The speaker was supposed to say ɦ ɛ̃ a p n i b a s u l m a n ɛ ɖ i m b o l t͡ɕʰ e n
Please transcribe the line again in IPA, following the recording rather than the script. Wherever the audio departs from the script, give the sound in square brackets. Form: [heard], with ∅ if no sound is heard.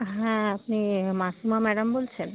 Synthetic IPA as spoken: ɦ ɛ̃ a p n i [m] a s u [∅] m a [m] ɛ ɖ [a] m b o l t͡ɕʰ e n